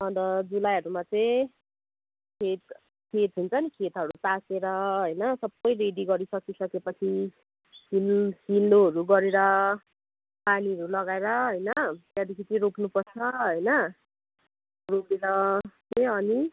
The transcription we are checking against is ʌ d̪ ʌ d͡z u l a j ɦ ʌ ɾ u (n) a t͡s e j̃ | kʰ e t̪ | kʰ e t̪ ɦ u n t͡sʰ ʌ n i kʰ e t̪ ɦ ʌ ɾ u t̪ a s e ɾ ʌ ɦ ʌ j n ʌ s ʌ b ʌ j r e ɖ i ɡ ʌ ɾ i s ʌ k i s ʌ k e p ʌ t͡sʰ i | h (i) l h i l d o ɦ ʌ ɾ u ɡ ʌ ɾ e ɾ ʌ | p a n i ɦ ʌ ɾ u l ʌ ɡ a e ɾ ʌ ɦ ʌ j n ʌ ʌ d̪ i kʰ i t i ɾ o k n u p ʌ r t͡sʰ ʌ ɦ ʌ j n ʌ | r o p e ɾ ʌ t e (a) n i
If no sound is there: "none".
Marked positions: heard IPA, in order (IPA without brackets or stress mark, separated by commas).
m, i, ʌ